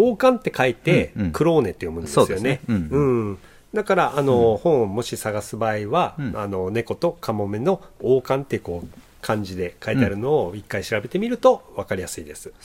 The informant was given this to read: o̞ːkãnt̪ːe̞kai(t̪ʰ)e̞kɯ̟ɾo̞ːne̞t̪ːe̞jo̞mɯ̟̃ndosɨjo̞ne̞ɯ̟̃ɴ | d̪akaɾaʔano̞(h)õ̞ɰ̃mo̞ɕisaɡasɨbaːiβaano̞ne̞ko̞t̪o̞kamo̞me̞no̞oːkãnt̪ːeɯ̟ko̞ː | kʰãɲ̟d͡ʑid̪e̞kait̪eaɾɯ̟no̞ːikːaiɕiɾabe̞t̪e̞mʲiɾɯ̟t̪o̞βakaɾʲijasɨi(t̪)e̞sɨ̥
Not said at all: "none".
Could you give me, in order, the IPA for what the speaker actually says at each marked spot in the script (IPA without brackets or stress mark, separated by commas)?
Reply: t̪, h, d̪